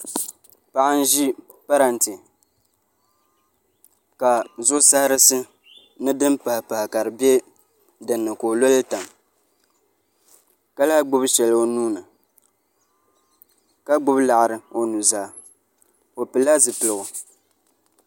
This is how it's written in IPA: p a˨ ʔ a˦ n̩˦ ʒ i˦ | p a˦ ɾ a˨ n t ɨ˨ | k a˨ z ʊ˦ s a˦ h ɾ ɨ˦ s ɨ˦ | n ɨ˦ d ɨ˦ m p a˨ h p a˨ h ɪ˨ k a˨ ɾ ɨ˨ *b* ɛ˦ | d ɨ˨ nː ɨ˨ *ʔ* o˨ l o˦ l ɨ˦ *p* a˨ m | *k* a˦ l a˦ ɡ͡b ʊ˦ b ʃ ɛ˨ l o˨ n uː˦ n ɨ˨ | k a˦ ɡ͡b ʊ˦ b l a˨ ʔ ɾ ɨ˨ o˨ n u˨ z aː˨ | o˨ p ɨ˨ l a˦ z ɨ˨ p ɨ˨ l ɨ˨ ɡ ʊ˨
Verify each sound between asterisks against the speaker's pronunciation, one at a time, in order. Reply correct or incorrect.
correct, incorrect, incorrect, correct

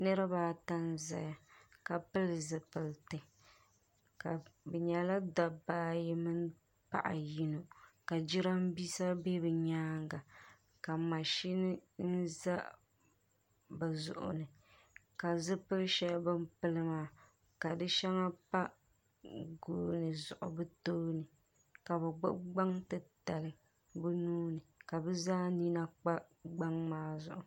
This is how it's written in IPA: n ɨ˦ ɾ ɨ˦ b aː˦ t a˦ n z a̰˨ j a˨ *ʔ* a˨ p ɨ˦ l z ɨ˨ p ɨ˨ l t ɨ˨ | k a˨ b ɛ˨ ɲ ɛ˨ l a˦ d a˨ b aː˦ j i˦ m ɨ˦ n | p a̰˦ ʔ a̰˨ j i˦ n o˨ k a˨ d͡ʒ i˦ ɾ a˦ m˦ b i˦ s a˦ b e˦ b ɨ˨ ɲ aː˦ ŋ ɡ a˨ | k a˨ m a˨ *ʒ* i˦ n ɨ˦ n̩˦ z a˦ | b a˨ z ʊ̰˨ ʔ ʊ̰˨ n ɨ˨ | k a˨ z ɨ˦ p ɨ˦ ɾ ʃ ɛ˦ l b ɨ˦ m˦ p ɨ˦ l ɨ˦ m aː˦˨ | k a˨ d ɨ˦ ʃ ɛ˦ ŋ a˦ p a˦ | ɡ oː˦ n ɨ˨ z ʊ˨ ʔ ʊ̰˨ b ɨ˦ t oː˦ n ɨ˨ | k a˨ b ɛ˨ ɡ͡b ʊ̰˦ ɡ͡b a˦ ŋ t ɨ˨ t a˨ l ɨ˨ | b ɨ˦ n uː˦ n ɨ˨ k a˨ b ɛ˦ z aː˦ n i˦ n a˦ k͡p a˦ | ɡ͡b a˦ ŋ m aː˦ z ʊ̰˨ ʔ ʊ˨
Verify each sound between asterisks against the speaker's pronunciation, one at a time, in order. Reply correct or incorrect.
incorrect, incorrect

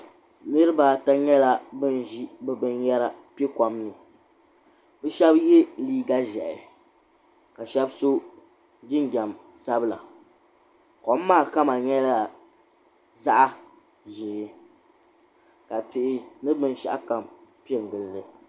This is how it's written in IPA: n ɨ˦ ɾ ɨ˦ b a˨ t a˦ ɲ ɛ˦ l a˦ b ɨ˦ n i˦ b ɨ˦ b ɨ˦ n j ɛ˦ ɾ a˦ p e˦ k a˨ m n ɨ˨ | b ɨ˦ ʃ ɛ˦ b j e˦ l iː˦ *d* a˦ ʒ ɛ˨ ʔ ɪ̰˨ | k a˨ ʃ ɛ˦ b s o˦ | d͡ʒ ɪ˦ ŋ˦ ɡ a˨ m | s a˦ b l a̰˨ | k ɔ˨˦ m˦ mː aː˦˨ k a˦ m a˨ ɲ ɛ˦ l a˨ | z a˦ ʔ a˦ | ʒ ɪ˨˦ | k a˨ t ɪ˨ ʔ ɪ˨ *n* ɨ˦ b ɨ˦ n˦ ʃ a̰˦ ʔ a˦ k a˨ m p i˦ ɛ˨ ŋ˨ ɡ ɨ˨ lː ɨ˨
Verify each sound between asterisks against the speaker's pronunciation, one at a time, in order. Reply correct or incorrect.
incorrect, correct

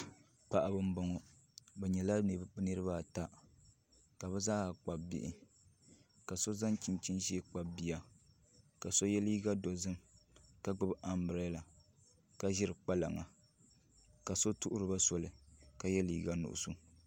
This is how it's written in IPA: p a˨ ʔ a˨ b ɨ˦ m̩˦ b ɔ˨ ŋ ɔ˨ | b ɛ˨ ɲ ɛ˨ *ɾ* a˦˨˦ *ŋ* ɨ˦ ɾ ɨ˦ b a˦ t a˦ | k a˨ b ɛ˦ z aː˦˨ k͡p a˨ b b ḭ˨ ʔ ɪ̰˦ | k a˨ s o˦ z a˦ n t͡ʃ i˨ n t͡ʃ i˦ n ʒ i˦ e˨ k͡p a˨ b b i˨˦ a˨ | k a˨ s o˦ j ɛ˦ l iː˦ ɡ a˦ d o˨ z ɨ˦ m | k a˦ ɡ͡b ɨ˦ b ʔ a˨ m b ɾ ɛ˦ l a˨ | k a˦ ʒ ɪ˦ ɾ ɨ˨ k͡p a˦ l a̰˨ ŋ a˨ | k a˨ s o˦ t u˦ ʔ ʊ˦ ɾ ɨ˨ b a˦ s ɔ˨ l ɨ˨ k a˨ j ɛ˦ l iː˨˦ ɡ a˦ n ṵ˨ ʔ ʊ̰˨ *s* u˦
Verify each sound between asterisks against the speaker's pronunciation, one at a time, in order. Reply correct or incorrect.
incorrect, incorrect, correct

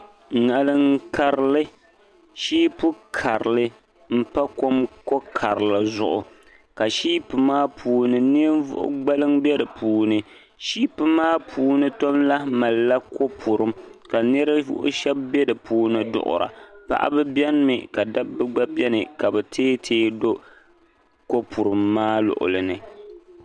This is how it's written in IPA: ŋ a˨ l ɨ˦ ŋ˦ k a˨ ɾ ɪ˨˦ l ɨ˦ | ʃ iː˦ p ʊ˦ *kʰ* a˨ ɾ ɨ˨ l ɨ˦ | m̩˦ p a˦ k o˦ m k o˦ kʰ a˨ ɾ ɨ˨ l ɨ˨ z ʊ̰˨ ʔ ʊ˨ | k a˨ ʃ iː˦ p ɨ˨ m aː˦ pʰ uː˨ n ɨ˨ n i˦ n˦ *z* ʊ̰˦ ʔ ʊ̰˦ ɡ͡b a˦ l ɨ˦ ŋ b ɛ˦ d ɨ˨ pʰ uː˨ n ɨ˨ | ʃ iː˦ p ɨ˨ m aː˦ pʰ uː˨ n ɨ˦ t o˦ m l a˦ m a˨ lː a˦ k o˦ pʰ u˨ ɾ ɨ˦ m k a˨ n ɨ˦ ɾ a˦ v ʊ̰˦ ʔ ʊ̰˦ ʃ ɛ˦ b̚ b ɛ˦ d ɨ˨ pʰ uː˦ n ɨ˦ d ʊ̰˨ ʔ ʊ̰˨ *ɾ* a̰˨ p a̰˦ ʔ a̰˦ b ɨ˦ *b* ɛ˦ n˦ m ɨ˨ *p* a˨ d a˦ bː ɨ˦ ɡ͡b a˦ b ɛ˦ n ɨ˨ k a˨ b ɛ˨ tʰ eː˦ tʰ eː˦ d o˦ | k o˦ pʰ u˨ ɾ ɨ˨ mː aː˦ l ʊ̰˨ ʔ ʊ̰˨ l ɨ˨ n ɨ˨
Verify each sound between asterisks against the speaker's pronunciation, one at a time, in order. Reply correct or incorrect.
correct, incorrect, correct, correct, incorrect

